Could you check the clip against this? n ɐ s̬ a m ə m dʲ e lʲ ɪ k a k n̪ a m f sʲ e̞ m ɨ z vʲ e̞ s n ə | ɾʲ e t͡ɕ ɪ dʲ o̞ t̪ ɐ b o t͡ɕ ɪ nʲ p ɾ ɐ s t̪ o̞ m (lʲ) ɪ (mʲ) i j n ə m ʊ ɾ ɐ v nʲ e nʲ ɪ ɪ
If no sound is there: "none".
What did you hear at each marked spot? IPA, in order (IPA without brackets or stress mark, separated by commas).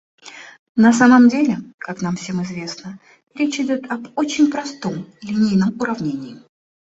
lʲ, nʲ